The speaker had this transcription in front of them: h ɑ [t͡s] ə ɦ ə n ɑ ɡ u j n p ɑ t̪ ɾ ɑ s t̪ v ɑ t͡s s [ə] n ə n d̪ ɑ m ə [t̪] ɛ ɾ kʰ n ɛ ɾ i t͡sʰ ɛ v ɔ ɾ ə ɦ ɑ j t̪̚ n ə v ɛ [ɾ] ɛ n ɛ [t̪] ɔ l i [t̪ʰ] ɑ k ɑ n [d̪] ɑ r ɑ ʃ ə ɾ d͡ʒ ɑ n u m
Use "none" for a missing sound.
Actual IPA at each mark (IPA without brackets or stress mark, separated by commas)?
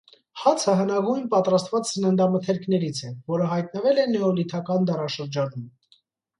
t͡sʰ, ə, t̪ʰ, l, none, t̪ʰ, d̪